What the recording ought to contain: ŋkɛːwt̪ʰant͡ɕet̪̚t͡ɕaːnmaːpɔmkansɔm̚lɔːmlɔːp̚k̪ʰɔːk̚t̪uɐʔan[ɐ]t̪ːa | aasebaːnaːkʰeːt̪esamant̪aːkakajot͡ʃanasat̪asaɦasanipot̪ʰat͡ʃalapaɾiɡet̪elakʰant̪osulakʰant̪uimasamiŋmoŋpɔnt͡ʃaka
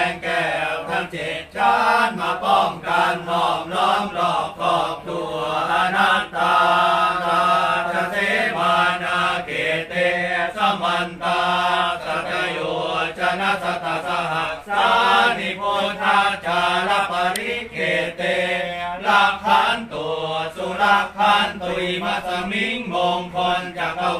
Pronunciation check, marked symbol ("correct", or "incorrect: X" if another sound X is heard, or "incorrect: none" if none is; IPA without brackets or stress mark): incorrect: a